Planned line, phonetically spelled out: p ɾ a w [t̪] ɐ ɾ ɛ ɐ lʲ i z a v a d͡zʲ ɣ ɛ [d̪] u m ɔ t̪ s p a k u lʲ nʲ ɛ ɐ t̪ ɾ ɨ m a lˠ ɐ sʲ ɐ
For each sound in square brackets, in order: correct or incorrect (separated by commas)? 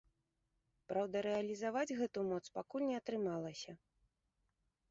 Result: incorrect, incorrect